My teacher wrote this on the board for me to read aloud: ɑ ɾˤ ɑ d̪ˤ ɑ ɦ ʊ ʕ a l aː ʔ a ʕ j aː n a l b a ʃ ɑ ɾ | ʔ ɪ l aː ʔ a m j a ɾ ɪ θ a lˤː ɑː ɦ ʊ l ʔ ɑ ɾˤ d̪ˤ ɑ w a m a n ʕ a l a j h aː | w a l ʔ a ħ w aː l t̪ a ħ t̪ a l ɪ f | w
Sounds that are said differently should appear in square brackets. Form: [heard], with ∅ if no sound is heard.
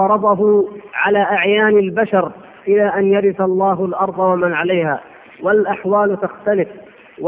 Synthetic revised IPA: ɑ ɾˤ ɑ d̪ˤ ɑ ɦ ʊ ʕ a l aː ʔ a ʕ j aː n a l b a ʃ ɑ ɾ | ʔ ɪ l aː ʔ a [n] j a ɾ ɪ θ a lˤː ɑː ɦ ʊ l ʔ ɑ ɾˤ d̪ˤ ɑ w a m a n ʕ a l a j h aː | w a l ʔ a ħ w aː l t̪ a [x] t̪ a l ɪ f | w